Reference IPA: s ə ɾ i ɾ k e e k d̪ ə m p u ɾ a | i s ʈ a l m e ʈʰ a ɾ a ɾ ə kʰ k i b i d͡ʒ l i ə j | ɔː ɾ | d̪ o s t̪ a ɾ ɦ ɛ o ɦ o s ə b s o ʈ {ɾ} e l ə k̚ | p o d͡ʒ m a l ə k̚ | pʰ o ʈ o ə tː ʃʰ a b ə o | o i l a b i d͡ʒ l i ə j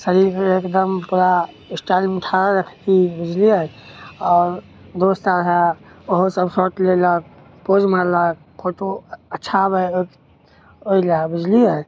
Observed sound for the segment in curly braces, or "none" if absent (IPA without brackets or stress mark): l